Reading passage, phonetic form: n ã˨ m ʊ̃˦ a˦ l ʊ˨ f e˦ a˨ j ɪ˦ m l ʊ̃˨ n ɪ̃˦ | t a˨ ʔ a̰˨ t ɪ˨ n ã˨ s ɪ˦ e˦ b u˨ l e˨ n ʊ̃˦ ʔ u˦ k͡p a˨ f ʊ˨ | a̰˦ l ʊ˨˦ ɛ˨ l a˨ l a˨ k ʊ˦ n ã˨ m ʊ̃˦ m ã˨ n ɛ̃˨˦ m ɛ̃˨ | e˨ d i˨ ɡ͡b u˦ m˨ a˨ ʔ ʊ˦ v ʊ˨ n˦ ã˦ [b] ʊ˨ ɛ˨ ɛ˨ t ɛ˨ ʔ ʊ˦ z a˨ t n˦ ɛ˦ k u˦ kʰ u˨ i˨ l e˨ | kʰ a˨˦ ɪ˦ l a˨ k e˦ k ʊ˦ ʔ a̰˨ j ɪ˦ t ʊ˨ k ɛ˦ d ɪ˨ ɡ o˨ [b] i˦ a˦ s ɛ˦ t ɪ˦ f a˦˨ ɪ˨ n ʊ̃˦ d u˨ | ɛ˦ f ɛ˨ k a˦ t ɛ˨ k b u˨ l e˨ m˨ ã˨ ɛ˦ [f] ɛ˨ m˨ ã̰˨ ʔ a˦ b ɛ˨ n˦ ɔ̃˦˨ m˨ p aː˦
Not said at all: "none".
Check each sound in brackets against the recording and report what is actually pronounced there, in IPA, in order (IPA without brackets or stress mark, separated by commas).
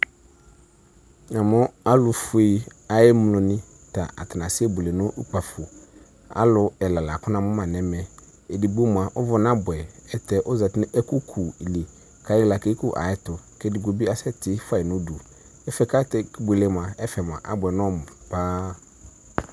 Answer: b, b, f